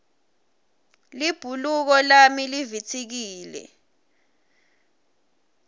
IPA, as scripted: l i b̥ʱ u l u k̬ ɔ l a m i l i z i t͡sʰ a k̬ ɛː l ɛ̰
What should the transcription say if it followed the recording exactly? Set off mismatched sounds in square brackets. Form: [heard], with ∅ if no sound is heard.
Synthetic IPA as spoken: l i b̥ʱ u l u k̬ ɔ l a m i l i [v] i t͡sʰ [i] k̬ [iː] l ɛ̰